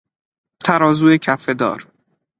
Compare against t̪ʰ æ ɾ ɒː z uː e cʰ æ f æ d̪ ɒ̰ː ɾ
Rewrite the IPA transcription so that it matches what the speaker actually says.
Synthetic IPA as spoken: t̪ʰ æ ɾ ɒː z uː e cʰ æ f e d̪ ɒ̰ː ɾ